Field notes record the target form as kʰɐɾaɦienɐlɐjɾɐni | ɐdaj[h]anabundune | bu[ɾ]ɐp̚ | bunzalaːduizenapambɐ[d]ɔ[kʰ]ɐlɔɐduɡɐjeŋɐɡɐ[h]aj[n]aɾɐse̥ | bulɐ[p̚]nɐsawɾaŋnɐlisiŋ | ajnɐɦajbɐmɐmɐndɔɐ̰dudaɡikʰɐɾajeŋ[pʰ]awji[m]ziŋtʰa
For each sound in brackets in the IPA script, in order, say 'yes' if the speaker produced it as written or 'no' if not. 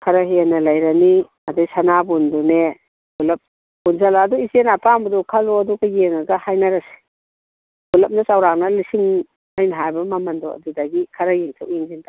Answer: no, no, yes, yes, yes, yes, yes, no, no

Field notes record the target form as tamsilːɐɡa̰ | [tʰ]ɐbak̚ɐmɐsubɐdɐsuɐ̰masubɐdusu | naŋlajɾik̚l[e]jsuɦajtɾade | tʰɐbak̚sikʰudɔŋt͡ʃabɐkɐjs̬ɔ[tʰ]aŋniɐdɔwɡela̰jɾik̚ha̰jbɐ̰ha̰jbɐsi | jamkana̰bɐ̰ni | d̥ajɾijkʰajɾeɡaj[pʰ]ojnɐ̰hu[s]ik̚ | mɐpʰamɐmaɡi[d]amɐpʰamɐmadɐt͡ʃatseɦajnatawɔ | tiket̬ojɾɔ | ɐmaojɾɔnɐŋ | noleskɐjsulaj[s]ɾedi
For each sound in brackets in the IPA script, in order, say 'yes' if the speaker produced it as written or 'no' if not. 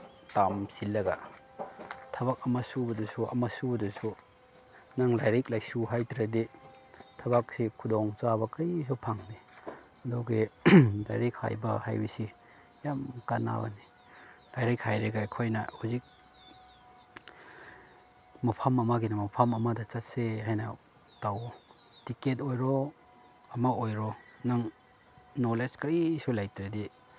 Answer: yes, no, no, no, no, no, no

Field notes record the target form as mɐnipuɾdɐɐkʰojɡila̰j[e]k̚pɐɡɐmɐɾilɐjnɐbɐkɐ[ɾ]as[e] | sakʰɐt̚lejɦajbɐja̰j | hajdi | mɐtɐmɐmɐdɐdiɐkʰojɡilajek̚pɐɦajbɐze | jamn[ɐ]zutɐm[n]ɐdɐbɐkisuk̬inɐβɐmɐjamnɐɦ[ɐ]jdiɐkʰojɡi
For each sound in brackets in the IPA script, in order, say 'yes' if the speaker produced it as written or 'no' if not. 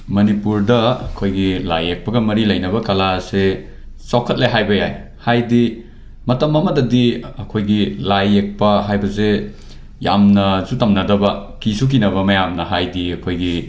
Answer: yes, no, yes, yes, yes, no

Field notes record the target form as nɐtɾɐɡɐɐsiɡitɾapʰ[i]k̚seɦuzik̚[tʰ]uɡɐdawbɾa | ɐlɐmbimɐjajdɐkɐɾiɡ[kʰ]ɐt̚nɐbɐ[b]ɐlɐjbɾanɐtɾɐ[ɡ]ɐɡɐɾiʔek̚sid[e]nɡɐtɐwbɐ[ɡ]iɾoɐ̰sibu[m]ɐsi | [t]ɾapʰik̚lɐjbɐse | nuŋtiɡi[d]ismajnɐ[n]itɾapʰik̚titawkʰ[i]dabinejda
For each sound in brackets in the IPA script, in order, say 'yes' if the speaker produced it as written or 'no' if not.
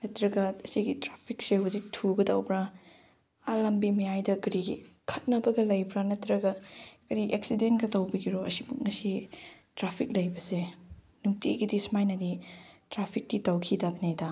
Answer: yes, yes, yes, no, yes, yes, yes, no, yes, yes, no, yes

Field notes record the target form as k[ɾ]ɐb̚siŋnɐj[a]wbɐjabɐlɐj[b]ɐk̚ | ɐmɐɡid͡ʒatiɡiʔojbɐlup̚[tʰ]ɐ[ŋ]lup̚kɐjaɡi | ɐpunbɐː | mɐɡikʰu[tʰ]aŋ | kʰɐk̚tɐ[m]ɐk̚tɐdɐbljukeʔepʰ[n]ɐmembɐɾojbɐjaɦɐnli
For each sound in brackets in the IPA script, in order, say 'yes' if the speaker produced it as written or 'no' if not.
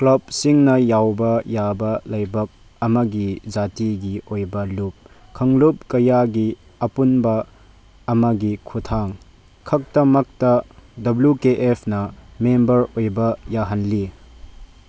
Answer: no, yes, yes, no, yes, yes, yes, yes

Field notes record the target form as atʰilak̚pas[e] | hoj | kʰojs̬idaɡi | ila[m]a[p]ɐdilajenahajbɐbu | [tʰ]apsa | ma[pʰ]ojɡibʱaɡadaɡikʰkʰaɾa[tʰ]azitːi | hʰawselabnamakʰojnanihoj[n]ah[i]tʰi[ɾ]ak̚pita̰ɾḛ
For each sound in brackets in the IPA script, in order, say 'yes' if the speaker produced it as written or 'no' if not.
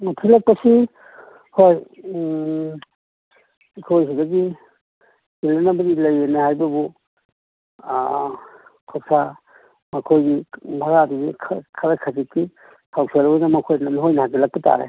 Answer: no, no, no, no, no, no, yes, no, no

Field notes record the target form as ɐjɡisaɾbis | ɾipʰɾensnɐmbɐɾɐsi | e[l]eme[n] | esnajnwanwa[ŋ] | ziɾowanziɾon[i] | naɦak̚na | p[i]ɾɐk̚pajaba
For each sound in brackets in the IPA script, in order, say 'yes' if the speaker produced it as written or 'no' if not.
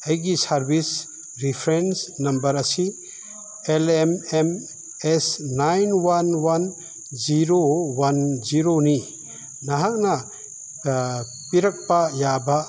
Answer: yes, no, no, yes, yes

